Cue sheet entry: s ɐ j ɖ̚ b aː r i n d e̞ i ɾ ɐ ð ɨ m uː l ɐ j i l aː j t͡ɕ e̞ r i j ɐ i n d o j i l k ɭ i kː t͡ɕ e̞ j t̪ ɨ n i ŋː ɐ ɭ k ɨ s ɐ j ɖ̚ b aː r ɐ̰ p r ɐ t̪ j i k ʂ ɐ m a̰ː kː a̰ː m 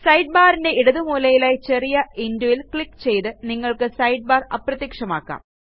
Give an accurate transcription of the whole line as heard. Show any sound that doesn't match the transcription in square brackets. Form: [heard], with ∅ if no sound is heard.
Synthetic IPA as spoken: s ɐ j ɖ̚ b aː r i n d e̞ i [ɽ] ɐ ð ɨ m uː l ɐ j i l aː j t͡ɕ e̞ r i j ɐ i n d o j i l k ɭ i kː t͡ɕ e̞ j t̪ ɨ n i ŋː ɐ ɭ k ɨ s ɐ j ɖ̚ b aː r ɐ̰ p r ɐ t̪ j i k ʂ ɐ m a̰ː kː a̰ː m